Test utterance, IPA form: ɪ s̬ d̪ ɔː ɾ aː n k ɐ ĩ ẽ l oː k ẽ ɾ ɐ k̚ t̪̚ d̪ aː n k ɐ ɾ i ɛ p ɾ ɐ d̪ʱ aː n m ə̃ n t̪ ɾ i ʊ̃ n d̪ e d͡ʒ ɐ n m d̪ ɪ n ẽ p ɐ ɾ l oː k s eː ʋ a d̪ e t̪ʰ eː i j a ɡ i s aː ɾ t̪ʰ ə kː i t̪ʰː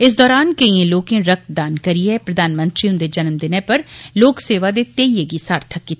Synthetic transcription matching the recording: ɪ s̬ d̪ ɔː ɾ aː n k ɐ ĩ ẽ l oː k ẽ ɾ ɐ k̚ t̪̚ d̪ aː n k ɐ ɾ i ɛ p ɾ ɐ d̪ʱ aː n m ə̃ n t̪ ɾ i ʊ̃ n d̪ e d͡ʒ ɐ n m d̪ ɪ n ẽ p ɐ ɾ l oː k s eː ʋ a d̪ e t̪ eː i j e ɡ i s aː ɾ t̪ʰ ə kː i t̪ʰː